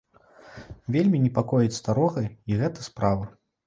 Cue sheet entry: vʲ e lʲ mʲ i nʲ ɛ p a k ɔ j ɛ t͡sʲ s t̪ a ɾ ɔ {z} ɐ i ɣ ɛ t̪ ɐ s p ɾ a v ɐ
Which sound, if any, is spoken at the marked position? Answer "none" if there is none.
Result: ɣ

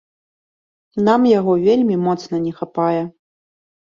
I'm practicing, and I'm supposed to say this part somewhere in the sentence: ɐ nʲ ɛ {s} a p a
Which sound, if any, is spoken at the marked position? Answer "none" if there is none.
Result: x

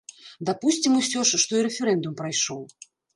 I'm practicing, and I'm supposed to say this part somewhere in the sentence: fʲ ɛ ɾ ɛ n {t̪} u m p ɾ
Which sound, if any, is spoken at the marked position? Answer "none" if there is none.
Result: d̪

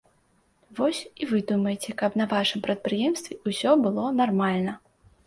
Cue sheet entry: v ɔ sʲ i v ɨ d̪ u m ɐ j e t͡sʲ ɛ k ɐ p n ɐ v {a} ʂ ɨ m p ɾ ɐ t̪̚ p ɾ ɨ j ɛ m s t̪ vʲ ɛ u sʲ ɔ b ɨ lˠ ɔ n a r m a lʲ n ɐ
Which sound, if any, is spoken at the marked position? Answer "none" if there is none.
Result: a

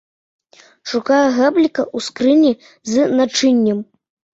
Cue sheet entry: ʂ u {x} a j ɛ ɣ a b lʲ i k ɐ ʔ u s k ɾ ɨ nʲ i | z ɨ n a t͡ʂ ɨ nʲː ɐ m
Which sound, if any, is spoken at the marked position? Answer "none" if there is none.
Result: k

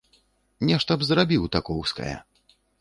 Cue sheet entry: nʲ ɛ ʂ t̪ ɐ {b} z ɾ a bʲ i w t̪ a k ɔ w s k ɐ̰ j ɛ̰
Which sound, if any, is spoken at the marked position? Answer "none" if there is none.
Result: b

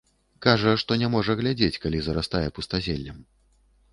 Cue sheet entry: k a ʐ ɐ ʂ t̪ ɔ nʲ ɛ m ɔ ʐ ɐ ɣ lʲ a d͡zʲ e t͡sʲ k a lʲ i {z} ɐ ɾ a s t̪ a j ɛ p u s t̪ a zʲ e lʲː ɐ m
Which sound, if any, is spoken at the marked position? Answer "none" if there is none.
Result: z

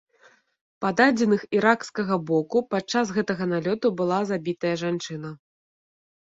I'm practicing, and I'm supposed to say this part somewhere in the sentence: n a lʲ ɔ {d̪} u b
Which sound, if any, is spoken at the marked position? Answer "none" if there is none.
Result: t̪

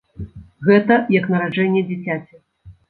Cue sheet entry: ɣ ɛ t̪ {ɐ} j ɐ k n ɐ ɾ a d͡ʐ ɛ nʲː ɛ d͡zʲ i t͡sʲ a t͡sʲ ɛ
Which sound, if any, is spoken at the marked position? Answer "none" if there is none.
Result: ɐ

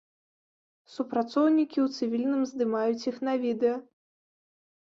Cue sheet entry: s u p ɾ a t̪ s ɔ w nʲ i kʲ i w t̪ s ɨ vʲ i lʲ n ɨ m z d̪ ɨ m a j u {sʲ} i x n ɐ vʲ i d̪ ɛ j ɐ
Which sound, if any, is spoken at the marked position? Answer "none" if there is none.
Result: t͡sʲ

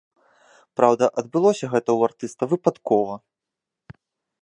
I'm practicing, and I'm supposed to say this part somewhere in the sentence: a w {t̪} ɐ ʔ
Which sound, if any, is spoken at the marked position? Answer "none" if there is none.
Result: d̪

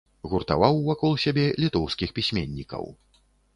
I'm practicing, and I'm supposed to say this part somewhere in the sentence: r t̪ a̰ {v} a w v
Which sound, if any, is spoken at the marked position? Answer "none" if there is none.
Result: v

